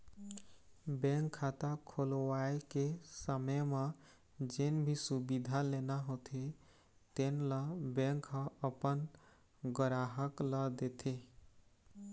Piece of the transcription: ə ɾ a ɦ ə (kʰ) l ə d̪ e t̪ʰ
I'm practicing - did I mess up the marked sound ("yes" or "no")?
yes